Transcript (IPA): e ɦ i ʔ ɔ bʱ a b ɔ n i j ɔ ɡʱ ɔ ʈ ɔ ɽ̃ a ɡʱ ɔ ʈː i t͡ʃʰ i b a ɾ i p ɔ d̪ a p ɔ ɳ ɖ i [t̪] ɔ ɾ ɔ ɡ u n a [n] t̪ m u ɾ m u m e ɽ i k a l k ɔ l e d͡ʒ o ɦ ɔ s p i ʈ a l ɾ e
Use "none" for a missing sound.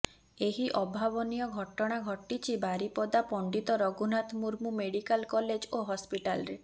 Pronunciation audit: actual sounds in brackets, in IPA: t̪, none

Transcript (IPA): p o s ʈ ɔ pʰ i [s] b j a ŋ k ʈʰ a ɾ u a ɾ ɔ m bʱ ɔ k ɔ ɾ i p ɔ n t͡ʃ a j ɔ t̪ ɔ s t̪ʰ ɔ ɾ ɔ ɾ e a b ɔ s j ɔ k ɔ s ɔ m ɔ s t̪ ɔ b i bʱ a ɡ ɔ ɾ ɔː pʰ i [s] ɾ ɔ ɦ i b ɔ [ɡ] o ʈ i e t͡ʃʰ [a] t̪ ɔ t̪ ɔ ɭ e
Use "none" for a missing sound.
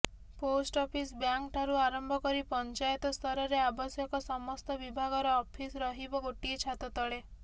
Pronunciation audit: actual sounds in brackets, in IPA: s, s, ɡ, a

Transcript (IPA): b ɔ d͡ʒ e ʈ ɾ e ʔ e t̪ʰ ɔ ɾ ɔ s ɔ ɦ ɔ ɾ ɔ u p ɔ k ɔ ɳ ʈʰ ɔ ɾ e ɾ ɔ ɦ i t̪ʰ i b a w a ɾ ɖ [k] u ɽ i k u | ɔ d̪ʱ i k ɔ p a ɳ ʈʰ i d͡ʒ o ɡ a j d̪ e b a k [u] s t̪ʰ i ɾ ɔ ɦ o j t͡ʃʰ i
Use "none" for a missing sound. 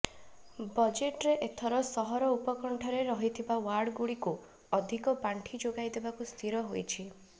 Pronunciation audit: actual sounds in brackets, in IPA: ɡ, u

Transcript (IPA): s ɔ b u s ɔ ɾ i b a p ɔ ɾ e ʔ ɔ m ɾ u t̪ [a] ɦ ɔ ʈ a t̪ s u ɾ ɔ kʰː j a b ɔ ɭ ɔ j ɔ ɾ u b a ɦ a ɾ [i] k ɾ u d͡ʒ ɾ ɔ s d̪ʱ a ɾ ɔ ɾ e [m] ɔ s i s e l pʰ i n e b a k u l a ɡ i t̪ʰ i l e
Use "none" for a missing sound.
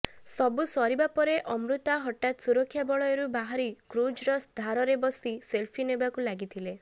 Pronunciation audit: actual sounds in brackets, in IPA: a, i, b

